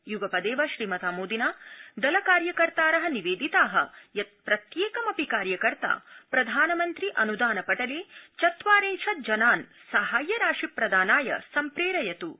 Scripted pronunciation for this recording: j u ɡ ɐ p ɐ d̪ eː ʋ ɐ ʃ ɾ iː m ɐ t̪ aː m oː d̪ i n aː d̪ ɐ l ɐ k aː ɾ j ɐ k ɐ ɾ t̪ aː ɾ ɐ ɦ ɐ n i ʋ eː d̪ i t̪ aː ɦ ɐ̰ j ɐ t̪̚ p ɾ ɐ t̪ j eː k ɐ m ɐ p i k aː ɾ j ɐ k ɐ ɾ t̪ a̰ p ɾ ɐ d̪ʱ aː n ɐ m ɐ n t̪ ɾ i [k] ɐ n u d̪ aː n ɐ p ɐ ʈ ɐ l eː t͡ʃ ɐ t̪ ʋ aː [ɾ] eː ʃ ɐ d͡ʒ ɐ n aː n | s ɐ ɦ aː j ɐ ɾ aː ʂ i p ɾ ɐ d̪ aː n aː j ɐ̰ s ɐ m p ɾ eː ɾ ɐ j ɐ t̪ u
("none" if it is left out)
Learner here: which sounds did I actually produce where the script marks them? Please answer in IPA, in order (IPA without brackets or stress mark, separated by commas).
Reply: ʔ, ɾ